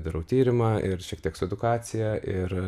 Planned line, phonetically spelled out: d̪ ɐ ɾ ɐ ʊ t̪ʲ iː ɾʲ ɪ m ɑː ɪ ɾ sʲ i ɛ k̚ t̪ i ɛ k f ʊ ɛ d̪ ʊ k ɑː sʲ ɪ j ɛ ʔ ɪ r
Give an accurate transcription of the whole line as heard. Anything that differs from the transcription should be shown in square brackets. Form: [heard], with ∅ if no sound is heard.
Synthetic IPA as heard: d̪ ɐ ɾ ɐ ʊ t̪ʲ iː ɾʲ ɪ m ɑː ɪ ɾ [ʃʲ] i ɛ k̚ t̪ i ɛ k [s] ʊ ɛ d̪ ʊ k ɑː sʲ ɪ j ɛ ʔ ɪ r